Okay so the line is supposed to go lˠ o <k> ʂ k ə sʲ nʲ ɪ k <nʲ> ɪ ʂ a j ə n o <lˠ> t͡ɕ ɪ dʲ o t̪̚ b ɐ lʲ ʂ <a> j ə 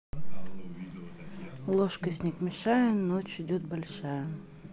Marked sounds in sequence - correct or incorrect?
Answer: incorrect: none, incorrect: mʲ, incorrect: none, correct

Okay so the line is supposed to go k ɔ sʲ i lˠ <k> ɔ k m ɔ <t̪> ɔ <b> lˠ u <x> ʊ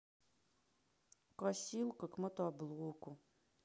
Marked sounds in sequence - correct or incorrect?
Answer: correct, correct, correct, incorrect: k

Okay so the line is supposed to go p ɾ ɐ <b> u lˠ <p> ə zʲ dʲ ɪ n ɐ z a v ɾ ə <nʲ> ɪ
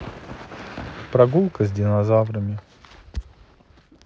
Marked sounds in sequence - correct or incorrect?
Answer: incorrect: ɡ, incorrect: k, incorrect: mʲ

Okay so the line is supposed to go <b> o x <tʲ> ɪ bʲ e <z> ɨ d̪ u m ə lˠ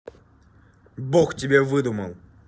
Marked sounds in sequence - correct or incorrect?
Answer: correct, correct, incorrect: v

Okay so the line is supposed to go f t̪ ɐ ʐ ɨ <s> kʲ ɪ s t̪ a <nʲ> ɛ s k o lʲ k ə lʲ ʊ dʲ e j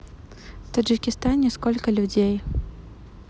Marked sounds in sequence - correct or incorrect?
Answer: incorrect: none, correct

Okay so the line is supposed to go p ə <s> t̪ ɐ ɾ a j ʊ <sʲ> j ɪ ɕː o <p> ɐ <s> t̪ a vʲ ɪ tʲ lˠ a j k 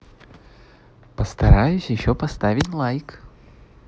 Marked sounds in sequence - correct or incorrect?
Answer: correct, correct, correct, correct

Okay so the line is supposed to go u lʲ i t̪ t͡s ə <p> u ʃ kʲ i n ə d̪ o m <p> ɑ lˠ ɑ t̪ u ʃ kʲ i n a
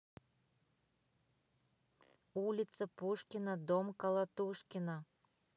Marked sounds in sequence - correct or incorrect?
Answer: correct, incorrect: k

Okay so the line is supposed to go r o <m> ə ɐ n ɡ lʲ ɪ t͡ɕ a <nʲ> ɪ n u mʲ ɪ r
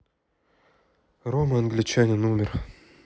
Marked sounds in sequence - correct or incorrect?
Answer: correct, correct

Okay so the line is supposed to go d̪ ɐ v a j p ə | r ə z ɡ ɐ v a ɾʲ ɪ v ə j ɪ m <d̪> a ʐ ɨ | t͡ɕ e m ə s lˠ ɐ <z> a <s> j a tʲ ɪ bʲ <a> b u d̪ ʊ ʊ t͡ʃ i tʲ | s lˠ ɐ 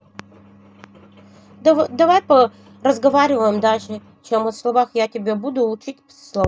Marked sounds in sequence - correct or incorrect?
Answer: correct, incorrect: v, incorrect: x, incorrect: e

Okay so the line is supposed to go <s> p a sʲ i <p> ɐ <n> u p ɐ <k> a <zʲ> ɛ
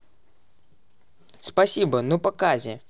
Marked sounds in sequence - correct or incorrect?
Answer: correct, incorrect: b, correct, correct, correct

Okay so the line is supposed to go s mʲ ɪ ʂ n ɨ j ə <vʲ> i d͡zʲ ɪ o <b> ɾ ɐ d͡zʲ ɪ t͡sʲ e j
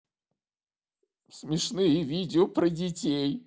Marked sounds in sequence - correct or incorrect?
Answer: correct, incorrect: p

